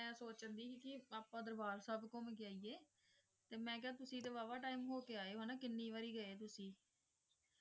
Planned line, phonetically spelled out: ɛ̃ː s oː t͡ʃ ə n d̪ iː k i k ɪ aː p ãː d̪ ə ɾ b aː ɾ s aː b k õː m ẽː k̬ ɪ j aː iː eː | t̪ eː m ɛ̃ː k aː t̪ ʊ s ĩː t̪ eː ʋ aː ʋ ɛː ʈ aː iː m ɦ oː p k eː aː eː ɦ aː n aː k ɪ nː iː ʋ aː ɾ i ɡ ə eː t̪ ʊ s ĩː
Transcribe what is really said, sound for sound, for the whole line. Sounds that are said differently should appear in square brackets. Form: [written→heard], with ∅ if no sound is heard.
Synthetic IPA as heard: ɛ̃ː s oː t͡ʃ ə n d̪ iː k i k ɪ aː p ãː d̪ ə ɾ b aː ɾ s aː b k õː m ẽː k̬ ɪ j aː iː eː | t̪ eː m ɛ̃ː k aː t̪ ʊ s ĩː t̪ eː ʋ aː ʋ [ɛː→aː] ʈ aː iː m ɦ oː [p→∅] k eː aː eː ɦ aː n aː k ɪ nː iː ʋ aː ɾ [i→iː] ɡ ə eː t̪ ʊ s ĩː